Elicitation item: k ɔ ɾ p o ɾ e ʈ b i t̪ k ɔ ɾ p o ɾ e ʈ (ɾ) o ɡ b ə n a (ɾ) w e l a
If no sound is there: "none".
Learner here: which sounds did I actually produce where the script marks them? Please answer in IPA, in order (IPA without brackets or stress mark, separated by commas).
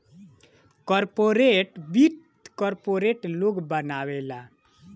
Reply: l, none